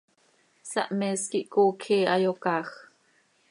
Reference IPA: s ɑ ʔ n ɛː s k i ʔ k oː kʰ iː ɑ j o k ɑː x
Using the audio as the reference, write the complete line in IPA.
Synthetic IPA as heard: s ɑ ʔ m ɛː s k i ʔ k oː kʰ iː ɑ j o k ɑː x